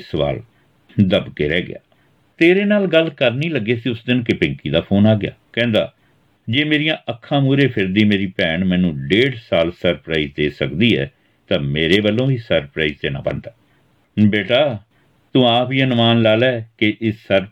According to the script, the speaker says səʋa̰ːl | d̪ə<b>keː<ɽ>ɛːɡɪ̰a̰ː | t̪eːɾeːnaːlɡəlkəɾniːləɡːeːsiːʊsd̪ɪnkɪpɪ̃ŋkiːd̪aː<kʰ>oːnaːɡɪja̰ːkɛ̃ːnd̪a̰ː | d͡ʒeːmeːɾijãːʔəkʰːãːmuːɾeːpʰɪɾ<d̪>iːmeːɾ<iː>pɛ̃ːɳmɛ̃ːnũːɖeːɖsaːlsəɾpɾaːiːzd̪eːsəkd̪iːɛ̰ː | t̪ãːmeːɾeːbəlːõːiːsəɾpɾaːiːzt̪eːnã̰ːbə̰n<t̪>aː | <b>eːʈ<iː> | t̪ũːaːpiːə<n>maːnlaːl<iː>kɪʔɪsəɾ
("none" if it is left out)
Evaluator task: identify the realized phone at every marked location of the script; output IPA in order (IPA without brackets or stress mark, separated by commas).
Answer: b, ɾ, pʰ, d̪, iː, d̪, b, aː, n, ɛː